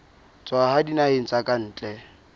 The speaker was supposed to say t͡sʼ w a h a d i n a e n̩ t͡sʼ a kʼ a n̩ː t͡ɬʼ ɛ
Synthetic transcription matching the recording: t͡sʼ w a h a d i n a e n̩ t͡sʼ a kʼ a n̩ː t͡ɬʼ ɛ